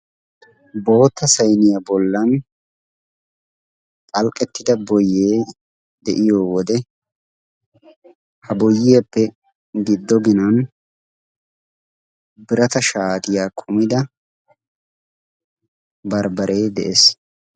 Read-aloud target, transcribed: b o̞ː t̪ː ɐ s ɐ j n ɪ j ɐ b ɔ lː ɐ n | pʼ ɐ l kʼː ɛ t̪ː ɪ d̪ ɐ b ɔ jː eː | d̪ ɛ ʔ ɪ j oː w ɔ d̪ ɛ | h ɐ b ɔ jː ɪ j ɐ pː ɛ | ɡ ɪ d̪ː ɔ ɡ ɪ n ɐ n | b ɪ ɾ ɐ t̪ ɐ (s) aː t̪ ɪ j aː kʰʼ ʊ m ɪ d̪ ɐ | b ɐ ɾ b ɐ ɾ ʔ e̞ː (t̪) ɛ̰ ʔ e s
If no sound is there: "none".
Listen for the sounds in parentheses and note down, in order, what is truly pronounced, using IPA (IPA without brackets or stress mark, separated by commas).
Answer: ʃ, d̪